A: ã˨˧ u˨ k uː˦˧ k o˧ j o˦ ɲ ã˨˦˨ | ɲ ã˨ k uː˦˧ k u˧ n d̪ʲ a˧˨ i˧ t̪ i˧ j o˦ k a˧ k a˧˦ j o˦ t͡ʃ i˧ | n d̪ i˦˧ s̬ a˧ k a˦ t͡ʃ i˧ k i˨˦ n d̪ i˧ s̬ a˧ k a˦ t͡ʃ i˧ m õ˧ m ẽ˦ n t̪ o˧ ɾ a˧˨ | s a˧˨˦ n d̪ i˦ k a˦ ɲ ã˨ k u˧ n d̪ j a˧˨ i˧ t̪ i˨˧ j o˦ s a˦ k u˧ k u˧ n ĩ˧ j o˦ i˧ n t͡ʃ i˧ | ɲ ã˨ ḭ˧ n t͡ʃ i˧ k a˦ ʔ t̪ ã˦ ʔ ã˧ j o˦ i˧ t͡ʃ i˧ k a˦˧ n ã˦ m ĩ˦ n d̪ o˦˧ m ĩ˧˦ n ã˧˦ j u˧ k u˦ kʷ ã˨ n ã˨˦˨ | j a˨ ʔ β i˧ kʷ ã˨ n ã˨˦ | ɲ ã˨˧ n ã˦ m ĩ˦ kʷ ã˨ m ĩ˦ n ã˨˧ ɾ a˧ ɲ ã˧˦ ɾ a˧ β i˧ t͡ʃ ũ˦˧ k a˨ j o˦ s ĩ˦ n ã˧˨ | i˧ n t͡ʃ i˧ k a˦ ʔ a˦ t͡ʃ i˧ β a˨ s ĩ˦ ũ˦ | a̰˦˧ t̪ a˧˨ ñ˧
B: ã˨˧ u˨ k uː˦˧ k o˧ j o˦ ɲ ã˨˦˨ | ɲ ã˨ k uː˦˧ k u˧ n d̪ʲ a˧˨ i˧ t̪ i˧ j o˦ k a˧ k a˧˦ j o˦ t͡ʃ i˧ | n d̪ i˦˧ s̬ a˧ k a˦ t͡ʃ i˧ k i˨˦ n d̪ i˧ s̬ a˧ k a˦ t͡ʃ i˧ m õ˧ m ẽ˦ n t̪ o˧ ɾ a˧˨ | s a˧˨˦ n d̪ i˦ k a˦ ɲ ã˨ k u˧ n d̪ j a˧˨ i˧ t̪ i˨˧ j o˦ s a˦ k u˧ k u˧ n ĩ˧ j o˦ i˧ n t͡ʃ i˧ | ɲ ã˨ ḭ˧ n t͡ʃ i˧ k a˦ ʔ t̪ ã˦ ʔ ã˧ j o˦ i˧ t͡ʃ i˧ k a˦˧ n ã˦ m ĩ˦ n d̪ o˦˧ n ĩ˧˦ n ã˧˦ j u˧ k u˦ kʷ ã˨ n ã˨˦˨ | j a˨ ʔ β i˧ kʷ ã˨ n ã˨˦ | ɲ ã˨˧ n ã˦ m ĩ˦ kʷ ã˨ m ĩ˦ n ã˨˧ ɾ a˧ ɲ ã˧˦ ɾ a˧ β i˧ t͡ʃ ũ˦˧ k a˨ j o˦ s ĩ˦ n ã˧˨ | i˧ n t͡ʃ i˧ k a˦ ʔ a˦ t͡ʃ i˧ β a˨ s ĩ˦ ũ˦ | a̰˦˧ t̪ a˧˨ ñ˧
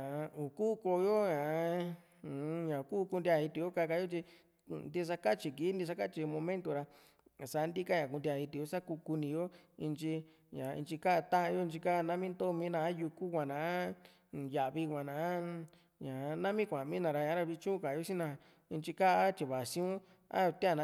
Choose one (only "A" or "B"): A